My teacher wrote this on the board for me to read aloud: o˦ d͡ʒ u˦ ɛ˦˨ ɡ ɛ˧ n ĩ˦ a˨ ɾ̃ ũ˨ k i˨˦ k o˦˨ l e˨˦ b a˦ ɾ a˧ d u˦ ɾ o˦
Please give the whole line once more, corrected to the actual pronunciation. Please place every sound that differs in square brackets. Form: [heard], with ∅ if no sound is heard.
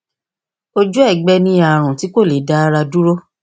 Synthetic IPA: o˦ d͡ʒ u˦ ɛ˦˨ [ɡ͡b] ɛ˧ n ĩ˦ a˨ ɾ̃ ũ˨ [t] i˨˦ k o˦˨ l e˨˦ [d] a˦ ɾ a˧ d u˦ ɾ o˦